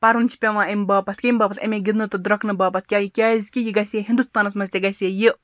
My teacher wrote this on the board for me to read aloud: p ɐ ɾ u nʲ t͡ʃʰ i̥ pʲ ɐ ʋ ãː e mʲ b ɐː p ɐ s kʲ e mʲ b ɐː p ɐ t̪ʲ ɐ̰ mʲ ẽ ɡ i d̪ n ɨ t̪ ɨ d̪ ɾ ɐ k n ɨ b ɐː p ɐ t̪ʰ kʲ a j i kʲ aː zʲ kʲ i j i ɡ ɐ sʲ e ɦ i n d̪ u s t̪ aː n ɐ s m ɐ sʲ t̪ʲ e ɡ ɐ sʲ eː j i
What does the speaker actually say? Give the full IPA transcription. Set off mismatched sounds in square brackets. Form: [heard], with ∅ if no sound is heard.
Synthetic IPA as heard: p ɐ ɾ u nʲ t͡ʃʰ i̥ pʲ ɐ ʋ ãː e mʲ b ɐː p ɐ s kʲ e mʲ b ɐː p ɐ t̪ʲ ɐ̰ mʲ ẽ ɡ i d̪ n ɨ t̪ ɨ d̪ ɾ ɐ k n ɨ b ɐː p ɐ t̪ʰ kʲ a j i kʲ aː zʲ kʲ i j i ɡ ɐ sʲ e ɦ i n d̪ u s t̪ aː n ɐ s m ɐ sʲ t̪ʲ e ɡ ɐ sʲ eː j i